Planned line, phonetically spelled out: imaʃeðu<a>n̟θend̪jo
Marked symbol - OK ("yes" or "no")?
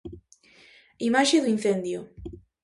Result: no